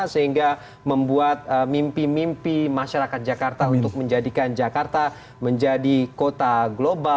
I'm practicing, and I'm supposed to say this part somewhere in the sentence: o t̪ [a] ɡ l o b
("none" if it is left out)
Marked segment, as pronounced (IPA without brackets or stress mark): a